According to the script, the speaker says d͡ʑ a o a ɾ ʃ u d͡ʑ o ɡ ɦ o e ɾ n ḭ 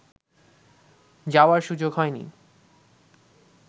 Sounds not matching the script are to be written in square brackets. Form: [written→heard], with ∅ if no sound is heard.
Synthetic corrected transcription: d͡ʑ a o a ɾ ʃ u d͡ʑ o ɡ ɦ [o→ɔ] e [ɾ→∅] n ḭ